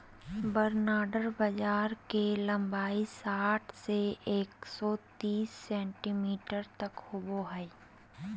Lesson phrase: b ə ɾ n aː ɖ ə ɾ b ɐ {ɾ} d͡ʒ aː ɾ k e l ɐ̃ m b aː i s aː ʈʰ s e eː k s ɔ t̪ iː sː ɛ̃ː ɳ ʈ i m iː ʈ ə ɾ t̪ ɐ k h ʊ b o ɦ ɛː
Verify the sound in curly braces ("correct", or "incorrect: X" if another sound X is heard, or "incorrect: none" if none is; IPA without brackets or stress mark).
incorrect: none